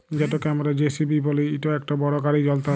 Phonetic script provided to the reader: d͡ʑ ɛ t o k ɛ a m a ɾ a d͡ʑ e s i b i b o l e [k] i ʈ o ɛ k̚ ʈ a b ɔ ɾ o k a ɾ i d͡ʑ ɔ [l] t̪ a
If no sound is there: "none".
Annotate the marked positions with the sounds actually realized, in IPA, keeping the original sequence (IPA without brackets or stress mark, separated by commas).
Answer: none, l